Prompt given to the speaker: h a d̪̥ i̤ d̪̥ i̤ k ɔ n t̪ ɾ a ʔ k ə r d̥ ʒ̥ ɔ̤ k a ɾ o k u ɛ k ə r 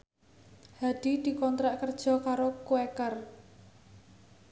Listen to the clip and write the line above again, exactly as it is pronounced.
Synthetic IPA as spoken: h a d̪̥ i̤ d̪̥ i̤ k ɔ n t̪ ɾ a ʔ k ə r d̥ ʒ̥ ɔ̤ k a ɾ o k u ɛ k ə r

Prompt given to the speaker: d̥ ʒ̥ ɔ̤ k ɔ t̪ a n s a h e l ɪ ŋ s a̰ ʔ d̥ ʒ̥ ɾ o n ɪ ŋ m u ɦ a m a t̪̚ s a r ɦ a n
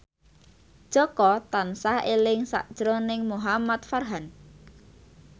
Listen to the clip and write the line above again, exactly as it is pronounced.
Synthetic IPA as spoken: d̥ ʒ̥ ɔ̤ k ɔ t̪ a n s a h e l ɪ ŋ s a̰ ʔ d̥ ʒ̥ ɾ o n ɪ ŋ m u ɦ a m a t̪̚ f a r ɦ a n

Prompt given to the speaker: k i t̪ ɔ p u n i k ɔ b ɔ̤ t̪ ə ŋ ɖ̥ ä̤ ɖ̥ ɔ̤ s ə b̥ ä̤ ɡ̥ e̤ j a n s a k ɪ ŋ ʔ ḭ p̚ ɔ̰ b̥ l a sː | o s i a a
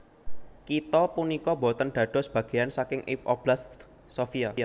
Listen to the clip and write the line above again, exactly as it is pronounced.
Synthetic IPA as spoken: k i t̪ ɔ p u n i k ɔ b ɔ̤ t̪ ə n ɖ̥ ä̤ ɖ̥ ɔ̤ s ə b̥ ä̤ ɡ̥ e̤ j a n s a k ɪ ŋ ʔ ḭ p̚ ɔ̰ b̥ l a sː | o f i a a

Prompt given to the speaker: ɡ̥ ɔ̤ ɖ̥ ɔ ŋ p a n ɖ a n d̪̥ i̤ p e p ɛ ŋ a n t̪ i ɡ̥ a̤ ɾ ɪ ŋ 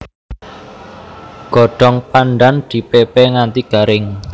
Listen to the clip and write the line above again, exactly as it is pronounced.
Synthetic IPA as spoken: ɡ̥ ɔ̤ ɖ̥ ɔ ŋ p a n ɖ a n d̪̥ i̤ p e p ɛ ŋ a n t̪ i ɡ̥ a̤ ɾ ɪ ŋ

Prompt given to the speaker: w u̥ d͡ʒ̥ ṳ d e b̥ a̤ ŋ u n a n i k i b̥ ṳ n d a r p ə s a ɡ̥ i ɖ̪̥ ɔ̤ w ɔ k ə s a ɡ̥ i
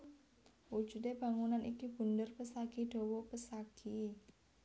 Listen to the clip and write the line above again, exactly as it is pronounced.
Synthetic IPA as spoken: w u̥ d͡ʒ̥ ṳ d e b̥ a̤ ŋ u n a n i k i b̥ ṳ n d ə r p ə s a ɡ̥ i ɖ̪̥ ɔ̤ w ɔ p ə s a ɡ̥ i

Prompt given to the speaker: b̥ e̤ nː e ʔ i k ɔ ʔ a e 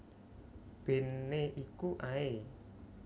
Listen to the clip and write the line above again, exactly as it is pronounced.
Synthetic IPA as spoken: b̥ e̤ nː e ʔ i k u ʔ a e

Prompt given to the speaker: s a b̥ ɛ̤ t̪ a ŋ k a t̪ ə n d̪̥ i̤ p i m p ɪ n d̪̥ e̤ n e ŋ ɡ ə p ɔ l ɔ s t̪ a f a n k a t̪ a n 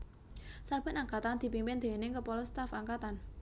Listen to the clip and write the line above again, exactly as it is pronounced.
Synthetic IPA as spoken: s a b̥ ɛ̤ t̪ a ŋ k a t̪ a n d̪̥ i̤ p i m p ɪ n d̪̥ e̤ n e ŋ k ə p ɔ l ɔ s t̪ a f a ŋ k a t̪ a n

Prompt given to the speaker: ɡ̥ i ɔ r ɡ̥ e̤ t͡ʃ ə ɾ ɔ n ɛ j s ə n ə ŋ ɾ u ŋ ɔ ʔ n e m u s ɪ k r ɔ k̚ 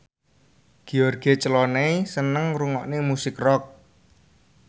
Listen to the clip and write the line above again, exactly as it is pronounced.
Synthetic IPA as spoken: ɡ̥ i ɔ r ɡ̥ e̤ t͡ʃ ə l ɔ n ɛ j s ə n ə ŋ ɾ u ŋ ɔ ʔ n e m u s ɪ k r ɔ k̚

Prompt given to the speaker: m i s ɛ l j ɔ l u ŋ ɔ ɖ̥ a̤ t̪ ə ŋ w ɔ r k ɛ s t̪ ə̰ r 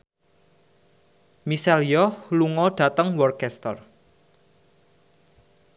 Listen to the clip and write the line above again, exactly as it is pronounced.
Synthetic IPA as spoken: m i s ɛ l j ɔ l u ŋ ɔ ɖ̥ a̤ t̪ ə ŋ w ɔ r k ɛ s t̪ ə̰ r

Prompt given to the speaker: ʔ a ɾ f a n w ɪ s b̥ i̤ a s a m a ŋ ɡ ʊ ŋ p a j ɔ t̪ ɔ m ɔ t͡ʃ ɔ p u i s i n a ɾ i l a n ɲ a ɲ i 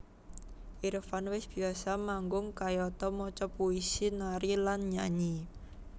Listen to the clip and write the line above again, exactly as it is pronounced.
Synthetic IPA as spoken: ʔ i ɾ f a n w ɪ s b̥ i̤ a s a m a ŋ ɡ ʊ ŋ k a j ɔ t̪ ɔ m ɔ t͡ʃ ɔ p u i s i n a ɾ i l a n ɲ a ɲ i

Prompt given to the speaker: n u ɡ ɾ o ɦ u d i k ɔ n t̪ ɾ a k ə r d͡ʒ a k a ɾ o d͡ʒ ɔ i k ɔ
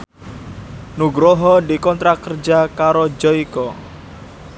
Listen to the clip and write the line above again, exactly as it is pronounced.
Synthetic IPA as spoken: n u ɡ ɾ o ɦ ɔ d i k ɔ n t̪ ɾ a k ə r d͡ʒ a k a ɾ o d͡ʒ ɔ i k ɔ

